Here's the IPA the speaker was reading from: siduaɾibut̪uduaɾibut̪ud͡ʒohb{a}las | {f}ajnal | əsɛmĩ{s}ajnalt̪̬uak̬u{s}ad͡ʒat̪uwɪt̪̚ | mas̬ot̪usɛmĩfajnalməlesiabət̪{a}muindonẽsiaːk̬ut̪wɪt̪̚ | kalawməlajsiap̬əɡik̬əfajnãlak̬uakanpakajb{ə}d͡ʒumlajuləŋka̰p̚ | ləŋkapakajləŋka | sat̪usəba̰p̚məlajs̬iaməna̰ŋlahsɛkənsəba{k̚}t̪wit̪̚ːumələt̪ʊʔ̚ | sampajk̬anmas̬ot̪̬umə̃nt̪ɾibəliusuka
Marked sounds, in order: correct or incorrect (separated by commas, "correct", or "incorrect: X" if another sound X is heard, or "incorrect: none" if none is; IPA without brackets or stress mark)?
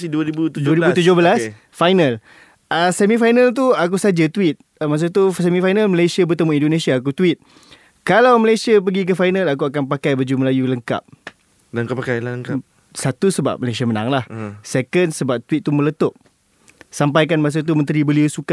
incorrect: ə, correct, incorrect: f, correct, incorrect: ə, correct, incorrect: p̚